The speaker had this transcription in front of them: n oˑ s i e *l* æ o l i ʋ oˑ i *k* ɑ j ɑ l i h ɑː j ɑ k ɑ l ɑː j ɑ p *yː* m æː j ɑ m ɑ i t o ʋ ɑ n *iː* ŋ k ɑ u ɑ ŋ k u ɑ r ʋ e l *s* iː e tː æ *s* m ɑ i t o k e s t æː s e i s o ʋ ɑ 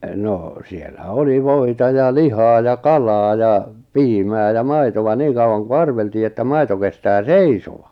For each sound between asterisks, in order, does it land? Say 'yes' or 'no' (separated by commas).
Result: no, no, no, yes, no, no